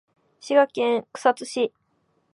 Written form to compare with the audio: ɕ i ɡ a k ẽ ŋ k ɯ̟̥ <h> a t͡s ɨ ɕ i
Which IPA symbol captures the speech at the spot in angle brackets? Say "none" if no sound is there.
s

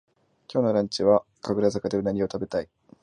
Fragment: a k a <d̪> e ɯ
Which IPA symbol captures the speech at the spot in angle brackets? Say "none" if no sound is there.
d̪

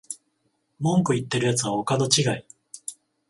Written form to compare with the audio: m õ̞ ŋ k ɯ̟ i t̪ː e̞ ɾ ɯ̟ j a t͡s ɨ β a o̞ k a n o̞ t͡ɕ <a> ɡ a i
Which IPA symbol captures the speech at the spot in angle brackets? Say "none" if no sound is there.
i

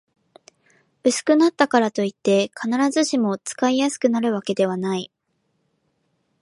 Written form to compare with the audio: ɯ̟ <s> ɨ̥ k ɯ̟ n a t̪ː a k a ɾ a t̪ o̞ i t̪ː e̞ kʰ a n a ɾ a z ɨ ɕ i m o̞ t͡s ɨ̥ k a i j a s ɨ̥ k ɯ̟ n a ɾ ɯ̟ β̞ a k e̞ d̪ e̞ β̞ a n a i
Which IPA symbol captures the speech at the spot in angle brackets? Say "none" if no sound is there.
s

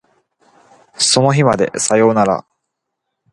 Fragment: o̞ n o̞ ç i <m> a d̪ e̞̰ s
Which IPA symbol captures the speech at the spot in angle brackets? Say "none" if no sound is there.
m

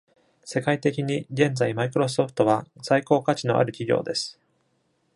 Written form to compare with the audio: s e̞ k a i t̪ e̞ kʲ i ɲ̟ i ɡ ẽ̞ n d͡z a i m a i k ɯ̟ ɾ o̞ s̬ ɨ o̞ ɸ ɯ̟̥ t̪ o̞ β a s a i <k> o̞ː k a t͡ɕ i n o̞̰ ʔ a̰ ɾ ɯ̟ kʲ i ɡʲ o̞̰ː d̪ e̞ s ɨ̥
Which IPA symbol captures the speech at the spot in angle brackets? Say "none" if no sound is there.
k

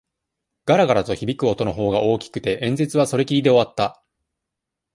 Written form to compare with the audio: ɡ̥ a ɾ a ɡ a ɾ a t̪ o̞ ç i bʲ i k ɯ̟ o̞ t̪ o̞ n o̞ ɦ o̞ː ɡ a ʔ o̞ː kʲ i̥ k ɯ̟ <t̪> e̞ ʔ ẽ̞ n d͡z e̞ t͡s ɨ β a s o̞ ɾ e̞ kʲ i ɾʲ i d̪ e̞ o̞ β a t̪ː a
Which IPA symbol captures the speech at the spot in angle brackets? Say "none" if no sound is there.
t̪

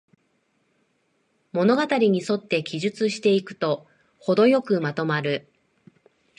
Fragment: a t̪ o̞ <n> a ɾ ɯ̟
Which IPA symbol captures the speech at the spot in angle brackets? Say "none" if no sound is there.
m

